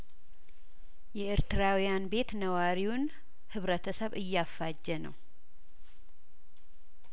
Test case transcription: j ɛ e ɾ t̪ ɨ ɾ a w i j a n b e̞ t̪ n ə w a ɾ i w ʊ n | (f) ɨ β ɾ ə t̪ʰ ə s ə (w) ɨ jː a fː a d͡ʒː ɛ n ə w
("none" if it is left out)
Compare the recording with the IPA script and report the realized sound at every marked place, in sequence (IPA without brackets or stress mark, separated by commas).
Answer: h, β